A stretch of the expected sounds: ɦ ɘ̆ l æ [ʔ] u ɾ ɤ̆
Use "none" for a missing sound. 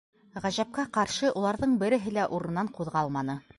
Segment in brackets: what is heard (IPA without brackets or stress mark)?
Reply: ʔ